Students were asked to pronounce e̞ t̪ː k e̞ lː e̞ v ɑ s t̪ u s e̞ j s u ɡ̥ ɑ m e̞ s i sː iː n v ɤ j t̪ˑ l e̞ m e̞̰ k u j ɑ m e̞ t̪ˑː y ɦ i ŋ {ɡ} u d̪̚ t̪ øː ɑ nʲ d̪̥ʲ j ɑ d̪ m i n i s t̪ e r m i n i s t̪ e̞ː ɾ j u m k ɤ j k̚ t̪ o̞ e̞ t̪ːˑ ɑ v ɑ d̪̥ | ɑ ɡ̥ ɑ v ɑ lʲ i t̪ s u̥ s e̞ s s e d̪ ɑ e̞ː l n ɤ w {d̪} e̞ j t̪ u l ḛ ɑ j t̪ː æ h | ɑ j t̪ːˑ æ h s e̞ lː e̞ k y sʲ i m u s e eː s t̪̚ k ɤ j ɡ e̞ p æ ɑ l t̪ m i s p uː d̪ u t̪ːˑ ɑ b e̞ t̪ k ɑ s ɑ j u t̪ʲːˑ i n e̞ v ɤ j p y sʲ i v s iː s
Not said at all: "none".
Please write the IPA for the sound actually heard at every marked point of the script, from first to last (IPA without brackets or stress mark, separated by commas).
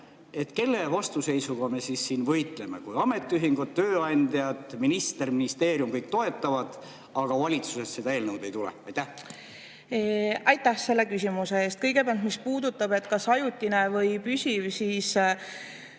ɡ, d̪